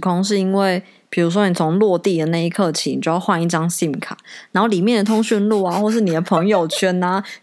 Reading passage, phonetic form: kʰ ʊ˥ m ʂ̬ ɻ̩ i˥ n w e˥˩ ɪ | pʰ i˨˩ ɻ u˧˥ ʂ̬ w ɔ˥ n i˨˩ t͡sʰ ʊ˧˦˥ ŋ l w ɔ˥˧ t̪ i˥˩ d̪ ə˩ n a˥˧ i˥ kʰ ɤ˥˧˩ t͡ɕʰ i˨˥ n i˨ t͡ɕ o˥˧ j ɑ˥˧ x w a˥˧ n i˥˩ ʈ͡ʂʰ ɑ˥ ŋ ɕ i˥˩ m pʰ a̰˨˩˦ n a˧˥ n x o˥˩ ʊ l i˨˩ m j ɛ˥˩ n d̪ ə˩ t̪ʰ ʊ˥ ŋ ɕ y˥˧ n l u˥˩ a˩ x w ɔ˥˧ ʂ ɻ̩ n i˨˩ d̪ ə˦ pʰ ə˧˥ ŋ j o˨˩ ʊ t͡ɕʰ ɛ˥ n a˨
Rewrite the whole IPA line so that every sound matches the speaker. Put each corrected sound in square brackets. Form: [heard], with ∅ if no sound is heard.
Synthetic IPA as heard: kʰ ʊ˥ [ŋ] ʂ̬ ɻ̩ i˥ n w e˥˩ ɪ | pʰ i˨˩ ɻ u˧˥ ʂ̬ w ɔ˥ n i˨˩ t͡sʰ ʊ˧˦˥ ŋ l w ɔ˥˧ t̪ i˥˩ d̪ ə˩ n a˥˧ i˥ kʰ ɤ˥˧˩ t͡ɕʰ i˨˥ n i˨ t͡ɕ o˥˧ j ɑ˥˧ x w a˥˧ n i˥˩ [ʈ͡ʂ] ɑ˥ ŋ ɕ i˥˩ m [kʰ] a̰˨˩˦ n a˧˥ n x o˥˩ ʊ l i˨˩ m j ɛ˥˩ n d̪ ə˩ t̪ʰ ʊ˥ ŋ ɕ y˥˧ n l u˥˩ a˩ x w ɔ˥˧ ʂ ɻ̩ n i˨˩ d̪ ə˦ pʰ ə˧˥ ŋ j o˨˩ ʊ t͡ɕʰ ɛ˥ n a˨